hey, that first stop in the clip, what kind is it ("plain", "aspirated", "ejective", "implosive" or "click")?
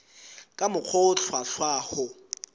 ejective